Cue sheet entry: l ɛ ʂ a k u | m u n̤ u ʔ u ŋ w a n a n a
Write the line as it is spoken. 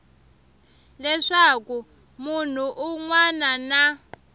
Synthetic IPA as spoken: l ɛ ʂ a k u | m u n̤ u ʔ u ŋ w a n a n a